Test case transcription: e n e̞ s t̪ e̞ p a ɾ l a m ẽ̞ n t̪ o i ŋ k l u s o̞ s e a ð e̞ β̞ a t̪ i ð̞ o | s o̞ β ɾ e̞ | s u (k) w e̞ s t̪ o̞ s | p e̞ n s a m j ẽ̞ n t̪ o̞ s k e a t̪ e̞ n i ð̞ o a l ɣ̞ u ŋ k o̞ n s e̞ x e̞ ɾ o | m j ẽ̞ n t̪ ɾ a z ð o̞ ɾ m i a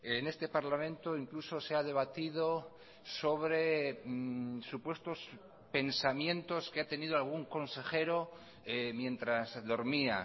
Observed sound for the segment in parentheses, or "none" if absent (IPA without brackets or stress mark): p